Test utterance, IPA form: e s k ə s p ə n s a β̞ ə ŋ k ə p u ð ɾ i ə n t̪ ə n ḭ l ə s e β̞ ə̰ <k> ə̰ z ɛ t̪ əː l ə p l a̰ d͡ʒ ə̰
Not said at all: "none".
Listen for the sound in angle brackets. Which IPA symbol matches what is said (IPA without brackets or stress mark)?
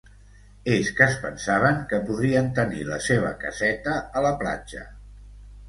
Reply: k